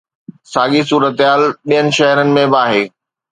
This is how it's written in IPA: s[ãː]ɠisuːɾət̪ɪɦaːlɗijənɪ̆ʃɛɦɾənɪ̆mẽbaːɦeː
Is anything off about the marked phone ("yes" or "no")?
yes